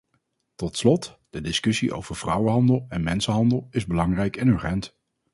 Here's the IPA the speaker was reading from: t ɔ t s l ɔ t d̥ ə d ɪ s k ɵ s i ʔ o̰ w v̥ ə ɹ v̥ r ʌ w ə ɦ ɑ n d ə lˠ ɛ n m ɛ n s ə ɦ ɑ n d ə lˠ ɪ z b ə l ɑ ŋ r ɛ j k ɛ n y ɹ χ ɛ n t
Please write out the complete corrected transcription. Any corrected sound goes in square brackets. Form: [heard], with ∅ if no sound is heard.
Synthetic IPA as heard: t ɔ t s l ɔ t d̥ ə d ɪ s k ɵ s i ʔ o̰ w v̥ ə ɹ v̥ r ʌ w ə ɦ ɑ n d ə lˠ ɛ n m ɛ n s ə ɦ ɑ n d ə lˠ ɪ z b ə l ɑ ŋ r ɛ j k ɛ n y ɹ χ ɛ n t